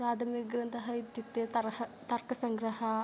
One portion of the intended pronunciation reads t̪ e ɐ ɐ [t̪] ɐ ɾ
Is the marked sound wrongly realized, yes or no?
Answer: no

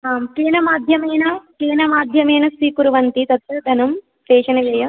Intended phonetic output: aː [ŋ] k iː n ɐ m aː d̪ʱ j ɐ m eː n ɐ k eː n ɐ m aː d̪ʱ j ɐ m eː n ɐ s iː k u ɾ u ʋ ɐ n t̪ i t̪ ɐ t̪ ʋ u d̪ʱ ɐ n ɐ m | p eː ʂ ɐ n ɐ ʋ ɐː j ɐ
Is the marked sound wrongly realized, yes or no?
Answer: yes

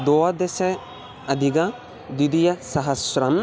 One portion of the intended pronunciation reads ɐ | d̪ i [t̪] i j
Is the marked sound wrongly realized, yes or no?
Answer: yes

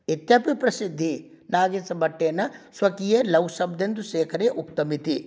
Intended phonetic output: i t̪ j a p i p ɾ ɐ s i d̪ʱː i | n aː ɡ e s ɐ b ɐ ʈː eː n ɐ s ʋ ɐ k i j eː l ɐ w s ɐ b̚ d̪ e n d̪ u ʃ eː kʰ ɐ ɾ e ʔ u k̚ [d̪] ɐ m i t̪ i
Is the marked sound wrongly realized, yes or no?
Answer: yes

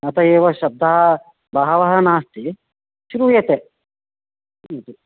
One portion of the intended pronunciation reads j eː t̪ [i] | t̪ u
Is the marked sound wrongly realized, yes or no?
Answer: yes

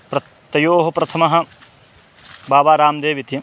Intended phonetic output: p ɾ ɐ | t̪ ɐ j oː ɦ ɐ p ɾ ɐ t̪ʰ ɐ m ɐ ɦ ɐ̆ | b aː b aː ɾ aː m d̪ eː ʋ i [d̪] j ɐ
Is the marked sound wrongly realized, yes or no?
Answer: yes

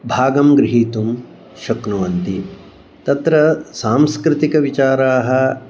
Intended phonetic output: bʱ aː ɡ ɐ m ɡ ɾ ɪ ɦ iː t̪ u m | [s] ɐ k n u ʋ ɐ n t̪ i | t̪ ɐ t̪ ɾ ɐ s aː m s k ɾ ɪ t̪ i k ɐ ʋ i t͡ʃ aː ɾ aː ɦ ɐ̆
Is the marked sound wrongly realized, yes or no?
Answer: yes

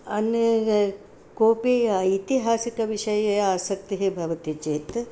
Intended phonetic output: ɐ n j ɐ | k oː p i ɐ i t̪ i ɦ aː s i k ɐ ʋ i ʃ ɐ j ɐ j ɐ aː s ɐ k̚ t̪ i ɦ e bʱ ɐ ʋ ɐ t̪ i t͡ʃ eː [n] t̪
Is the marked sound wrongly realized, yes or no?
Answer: yes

